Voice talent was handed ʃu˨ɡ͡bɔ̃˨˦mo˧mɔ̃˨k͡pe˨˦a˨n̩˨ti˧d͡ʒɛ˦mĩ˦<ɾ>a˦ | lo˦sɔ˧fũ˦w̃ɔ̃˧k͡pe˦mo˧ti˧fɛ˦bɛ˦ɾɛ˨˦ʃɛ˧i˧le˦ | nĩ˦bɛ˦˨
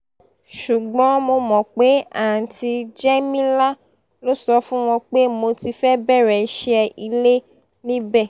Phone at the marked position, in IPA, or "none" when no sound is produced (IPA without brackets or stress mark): l